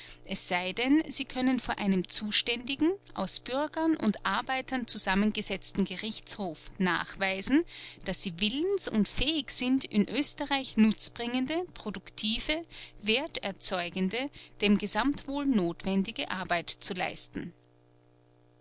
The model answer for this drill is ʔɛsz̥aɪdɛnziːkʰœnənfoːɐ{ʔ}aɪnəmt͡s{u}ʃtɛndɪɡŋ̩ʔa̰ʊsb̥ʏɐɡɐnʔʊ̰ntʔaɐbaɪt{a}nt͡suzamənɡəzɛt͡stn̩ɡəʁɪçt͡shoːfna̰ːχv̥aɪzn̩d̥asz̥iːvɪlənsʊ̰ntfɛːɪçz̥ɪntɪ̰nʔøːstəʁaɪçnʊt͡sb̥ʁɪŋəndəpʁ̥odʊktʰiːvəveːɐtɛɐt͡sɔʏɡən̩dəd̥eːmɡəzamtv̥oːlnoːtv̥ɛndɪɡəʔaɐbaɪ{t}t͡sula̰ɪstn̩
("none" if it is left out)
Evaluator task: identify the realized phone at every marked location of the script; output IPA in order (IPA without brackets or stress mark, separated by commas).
ʔ, uː, ɐ, t